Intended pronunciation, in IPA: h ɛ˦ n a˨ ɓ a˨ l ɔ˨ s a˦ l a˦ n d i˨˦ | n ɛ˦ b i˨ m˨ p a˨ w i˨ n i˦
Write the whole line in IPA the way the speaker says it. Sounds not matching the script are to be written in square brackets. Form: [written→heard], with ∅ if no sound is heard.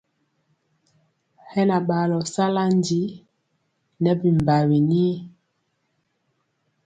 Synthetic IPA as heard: h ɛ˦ n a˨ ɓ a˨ l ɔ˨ s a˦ l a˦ n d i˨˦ | n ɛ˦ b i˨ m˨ [p→b] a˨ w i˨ n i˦